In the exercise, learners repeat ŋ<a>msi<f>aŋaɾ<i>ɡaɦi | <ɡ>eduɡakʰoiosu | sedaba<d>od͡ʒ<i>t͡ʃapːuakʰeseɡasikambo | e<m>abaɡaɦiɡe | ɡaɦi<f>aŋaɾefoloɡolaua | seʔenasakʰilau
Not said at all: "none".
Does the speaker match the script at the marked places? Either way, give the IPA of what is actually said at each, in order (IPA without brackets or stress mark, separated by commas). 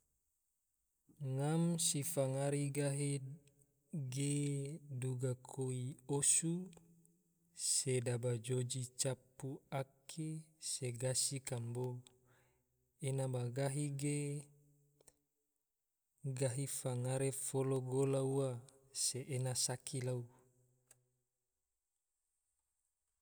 a, f, i, ɡ, d͡ʒ, i, n, f